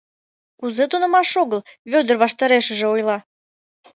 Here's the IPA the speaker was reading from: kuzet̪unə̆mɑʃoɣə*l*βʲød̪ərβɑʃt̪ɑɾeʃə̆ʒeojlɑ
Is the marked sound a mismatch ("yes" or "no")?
no